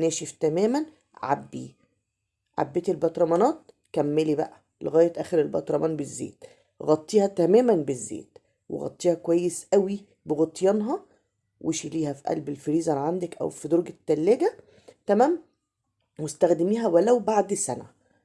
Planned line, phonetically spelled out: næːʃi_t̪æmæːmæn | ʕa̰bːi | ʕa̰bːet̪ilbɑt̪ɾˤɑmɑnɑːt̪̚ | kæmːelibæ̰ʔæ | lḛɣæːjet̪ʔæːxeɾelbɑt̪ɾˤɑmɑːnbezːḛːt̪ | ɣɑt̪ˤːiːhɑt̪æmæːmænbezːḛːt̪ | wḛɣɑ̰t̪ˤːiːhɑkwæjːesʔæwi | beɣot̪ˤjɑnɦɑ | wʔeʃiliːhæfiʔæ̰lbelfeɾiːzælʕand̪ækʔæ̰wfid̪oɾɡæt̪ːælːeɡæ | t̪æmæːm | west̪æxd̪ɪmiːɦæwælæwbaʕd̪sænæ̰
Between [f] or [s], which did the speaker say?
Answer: f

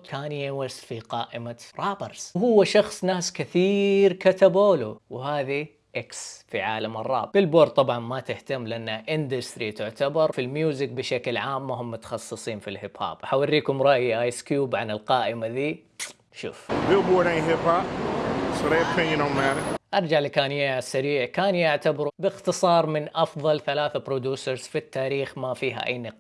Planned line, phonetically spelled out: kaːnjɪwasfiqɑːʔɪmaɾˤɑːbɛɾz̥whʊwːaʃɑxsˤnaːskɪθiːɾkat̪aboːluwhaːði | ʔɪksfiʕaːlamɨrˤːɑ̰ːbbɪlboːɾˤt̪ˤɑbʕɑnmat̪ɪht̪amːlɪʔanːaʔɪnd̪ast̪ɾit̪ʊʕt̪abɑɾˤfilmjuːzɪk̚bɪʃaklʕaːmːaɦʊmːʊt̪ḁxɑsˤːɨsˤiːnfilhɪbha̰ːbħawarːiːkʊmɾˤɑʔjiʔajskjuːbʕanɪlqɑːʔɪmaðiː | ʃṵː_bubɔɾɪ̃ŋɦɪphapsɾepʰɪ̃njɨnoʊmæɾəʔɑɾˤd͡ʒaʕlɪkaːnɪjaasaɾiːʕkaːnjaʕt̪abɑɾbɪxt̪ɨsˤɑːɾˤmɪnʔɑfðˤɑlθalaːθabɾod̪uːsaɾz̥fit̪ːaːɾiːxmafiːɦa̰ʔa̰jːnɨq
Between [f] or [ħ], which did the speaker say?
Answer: f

